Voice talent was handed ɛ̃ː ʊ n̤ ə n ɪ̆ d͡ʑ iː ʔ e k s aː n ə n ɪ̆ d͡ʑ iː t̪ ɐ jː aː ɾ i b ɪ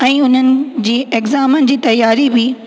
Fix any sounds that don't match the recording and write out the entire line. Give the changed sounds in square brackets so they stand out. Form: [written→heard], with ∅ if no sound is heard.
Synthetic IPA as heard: ɛ̃ː ʊ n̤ ə n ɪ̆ d͡ʑ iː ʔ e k [s→z] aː [n→m] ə n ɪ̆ d͡ʑ iː t̪ ɐ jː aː ɾ i b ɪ